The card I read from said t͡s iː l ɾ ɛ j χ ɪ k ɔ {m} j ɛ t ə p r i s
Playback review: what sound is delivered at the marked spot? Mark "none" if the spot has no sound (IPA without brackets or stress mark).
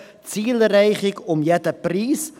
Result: m